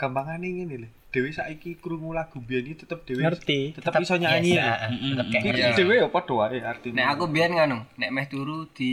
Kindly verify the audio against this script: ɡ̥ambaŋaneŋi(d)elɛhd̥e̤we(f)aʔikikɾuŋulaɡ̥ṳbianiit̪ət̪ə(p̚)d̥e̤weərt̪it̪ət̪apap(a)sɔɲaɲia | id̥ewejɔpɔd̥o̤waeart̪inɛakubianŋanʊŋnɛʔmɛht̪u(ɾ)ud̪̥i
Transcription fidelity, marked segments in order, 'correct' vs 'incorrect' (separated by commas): incorrect, incorrect, correct, incorrect, correct